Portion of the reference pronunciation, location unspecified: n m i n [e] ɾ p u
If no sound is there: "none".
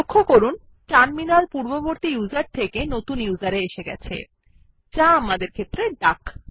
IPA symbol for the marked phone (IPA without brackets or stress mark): a